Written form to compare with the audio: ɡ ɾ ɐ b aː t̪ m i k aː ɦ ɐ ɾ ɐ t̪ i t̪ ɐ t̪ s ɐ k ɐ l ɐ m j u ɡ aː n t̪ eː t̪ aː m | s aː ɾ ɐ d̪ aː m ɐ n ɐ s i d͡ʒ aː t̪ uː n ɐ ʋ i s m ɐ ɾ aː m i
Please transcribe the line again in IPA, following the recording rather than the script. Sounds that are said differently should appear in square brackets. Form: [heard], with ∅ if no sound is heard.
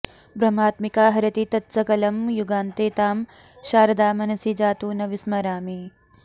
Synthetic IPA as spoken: [b] ɾ ɐ [m] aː t̪ m i k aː ɦ ɐ ɾ ɐ t̪ i t̪ ɐ t̪ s ɐ k ɐ l ɐ m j u ɡ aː n t̪ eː t̪ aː m | [ʃ] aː ɾ ɐ d̪ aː m ɐ n ɐ s i d͡ʒ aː t̪ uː n ɐ ʋ i s m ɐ ɾ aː m i